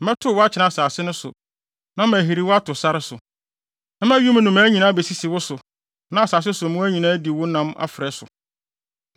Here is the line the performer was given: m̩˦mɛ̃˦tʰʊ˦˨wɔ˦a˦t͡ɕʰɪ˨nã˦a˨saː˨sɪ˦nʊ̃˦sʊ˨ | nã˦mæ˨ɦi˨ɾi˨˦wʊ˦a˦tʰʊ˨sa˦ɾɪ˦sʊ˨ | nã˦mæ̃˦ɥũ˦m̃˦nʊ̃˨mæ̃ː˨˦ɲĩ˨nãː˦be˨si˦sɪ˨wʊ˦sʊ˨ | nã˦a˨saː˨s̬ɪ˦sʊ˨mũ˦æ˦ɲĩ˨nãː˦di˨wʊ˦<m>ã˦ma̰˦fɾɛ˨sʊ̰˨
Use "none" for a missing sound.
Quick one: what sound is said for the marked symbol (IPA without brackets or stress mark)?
n